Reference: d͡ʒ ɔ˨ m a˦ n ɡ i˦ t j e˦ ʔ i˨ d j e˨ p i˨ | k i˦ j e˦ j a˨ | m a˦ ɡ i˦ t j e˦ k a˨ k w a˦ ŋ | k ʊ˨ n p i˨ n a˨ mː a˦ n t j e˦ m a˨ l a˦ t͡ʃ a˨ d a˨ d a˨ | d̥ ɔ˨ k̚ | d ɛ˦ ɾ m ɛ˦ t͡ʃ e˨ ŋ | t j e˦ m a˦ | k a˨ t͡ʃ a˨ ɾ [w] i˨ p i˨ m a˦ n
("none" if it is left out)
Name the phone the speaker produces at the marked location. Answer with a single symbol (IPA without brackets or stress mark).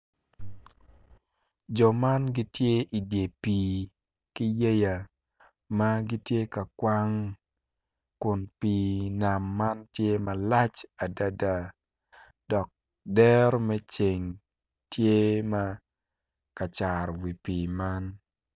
w